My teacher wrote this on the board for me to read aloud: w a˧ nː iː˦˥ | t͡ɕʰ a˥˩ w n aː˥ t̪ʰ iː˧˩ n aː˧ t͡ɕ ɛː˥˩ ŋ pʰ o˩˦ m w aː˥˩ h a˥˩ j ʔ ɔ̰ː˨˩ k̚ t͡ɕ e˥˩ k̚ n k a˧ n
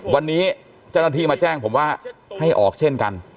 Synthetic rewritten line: w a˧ nː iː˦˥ | t͡ɕ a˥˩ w n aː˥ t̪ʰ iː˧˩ m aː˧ t͡ɕ ɛː˥˩ ŋ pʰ o˩˦ m w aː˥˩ h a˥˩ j ʔ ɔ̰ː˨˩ k̚ t͡ɕʰ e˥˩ n k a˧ n